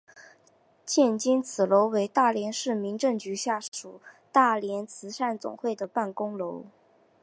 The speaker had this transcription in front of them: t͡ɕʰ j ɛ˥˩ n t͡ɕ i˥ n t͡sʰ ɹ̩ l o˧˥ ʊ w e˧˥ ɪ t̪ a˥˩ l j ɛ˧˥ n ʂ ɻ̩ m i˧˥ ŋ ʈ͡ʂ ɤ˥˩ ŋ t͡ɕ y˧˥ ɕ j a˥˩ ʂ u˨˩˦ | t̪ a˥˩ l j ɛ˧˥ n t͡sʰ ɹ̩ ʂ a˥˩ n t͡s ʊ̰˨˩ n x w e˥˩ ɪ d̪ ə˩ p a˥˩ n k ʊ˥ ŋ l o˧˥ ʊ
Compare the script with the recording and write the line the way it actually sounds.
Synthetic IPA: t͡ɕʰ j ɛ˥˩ n t͡ɕ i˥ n t͡sʰ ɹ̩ l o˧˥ ʊ w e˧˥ ɪ t̪ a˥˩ l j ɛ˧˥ n ʂ ɻ̩ m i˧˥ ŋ ʈ͡ʂ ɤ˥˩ ŋ t͡ɕ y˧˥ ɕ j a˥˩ ʂ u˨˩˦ | t̪ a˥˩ l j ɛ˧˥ n t͡sʰ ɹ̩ ʂ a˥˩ n t͡s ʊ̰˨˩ ŋ x w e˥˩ ɪ d̪ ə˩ p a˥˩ n k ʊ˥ ŋ l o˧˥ ʊ